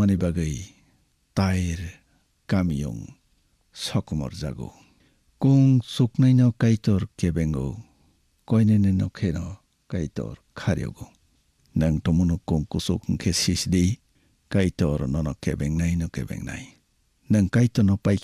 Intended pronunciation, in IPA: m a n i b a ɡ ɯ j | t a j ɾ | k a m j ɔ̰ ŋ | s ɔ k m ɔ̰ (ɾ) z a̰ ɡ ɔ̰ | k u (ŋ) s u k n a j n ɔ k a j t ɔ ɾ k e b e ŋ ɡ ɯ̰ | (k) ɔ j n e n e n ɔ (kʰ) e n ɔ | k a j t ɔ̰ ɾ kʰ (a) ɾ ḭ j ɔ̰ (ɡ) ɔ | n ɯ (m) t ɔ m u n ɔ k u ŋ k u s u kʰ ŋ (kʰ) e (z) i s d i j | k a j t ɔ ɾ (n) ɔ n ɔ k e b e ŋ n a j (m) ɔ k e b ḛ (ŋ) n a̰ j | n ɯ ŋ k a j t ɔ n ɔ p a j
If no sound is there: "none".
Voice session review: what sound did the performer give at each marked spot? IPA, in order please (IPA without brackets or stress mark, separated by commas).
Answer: ɾ, ŋ, k, kʰ, a, ɡ, ŋ, kʰ, s, n, n, ŋ